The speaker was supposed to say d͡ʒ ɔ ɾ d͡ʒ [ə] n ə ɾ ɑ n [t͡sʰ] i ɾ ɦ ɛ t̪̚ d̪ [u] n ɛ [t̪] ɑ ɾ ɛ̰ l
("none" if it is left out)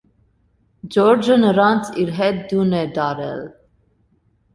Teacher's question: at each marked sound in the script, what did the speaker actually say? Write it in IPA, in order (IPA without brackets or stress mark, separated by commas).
ə, t͡sʰ, u, d̪